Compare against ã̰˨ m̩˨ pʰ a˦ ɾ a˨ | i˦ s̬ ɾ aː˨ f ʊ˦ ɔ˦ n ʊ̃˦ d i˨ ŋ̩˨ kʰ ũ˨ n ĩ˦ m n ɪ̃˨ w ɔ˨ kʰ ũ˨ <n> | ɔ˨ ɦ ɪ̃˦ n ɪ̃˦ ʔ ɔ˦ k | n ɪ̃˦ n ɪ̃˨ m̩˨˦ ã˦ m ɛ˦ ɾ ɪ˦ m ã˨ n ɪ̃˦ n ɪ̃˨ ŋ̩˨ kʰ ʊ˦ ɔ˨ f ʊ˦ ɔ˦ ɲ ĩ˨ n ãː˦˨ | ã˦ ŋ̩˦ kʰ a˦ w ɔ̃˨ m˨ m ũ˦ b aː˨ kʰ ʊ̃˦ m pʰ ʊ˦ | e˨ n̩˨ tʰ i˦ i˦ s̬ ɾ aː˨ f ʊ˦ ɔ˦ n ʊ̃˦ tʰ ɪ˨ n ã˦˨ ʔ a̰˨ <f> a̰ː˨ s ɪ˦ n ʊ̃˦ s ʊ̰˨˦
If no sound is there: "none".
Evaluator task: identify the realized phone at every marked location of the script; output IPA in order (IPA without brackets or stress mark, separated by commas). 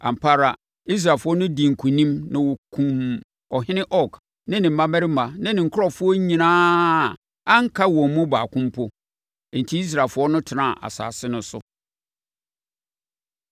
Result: m, s